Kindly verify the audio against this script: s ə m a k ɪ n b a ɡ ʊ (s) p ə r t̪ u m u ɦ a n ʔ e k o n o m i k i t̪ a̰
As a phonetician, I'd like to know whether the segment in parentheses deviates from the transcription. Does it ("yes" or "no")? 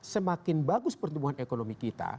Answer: no